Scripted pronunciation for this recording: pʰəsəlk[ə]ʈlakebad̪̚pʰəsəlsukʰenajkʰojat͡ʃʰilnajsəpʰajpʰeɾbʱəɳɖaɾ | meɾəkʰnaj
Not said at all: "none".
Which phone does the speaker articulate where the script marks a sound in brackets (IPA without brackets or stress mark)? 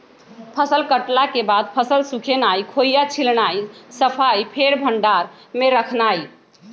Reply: ə